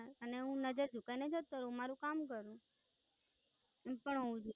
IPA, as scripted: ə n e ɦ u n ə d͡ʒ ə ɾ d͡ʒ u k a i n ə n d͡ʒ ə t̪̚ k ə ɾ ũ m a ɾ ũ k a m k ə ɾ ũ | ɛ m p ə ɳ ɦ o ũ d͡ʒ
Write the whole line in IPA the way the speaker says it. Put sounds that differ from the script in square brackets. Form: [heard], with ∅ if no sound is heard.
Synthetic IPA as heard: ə n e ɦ [ũ] n ə d͡ʒ ə ɾ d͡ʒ u k a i n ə [∅] d͡ʒ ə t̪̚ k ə ɾ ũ m a ɾ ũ k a m k ə ɾ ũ | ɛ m p ə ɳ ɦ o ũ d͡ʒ